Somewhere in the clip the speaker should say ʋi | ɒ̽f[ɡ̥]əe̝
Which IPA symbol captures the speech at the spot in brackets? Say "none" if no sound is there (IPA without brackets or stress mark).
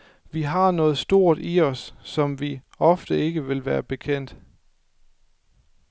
d̥